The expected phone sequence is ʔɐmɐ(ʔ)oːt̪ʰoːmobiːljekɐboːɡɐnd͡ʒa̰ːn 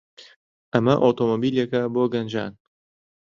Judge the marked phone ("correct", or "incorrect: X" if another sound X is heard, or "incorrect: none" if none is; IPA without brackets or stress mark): correct